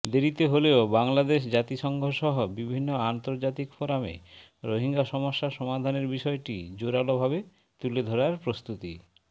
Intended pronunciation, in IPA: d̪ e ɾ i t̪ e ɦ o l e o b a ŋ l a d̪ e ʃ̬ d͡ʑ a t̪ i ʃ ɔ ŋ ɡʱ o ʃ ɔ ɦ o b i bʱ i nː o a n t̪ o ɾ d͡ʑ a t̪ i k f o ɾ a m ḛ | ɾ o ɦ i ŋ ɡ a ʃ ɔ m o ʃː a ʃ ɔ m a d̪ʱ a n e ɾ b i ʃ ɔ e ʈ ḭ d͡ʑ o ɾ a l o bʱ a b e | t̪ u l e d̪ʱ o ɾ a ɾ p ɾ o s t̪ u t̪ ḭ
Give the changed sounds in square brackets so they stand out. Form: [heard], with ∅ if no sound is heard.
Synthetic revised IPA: d̪ e ɾ i t̪ e ɦ o l e o b a ŋ l a d̪ e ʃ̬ d͡ʑ a t̪ i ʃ ɔ ŋ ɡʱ o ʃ ɔ ɦ o b i bʱ i nː o a n t̪ o ɾ d͡ʑ a t̪ i k f o ɾ a m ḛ | ɾ o ɦ i ŋ ɡ a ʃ ɔ m o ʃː a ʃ ɔ m a d̪ʱ a n e ɾ b i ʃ ɔ e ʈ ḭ d͡ʑ o ɾ a l o bʱ a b e | t̪ u l e d̪ʱ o ɾ a ɾ p ɾ o s t̪ u t̪ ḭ